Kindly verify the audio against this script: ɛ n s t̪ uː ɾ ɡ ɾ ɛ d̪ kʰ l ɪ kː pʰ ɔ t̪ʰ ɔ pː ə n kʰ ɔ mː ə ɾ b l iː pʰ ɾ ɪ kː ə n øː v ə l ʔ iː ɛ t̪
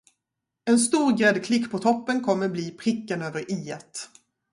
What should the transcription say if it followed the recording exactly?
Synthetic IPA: ɛ n s t̪ uː ɾ ɡ ɾ ɛ d̪ kʰ l ɪ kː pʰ ɔ t̪ʰ ɔ pː ə n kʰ ɔ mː ə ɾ b l iː pʰ ɾ ɪ kː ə n øː v ə ɾ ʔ iː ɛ t̪